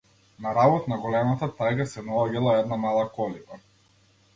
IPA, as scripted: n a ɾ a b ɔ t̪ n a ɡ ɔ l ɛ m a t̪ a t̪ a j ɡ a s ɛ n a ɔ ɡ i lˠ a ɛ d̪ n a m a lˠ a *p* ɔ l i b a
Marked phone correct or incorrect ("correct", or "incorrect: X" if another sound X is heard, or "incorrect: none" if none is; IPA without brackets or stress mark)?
incorrect: k